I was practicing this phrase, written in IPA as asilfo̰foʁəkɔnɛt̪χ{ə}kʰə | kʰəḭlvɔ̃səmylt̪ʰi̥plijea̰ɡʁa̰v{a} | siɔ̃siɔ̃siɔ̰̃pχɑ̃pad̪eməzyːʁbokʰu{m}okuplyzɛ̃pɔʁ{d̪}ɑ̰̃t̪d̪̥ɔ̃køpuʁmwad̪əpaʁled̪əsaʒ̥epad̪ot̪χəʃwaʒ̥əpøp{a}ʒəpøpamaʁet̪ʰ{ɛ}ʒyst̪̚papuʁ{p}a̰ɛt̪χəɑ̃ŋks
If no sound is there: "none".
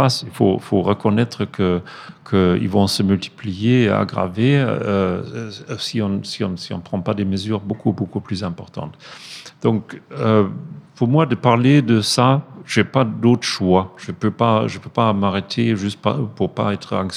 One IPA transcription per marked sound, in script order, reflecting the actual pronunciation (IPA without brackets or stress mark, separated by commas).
ə, e, b, t̪, a, e, p